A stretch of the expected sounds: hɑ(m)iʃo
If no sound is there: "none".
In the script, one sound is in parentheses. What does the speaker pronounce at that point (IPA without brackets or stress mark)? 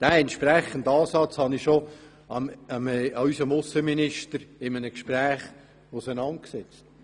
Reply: n